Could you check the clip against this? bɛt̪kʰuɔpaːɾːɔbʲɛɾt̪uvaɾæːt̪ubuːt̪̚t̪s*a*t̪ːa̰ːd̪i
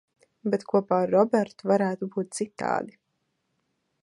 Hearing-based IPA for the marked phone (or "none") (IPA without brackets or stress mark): i